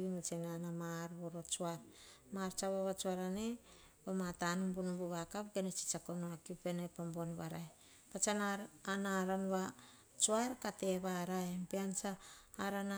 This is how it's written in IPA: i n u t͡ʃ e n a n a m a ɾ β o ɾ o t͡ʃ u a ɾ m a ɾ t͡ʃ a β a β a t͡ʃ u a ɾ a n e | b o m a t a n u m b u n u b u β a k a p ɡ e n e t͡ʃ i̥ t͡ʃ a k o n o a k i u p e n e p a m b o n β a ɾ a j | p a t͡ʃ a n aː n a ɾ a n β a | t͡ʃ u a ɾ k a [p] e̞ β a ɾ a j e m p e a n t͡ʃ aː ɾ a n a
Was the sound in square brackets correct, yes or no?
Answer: no